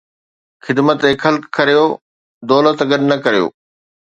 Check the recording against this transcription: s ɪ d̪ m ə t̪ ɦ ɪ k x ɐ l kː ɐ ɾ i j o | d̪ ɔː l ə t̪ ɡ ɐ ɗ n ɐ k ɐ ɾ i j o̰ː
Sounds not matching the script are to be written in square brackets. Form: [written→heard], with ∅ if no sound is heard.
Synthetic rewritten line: [s→x] ɪ d̪ m ə t̪ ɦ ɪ k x ɐ l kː ɐ ɾ i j o | d̪ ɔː l ə t̪ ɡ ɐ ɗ n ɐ k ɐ ɾ i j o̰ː